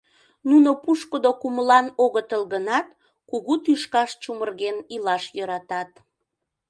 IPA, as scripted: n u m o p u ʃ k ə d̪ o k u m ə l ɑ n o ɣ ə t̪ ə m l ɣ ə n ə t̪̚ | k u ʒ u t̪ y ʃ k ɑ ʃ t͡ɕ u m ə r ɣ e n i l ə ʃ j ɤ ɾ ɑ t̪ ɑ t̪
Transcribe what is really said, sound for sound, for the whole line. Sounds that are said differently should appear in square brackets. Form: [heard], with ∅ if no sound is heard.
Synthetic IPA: n u [n] o p u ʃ k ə d̪ o k u m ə l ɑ n o ɣ ə t̪ ə [∅] l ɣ ə n [ɑ] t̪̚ | k u [ɣ] u t̪ y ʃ k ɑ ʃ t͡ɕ u m ə r ɣ e n i l [ɑ] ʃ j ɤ ɾ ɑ t̪ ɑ t̪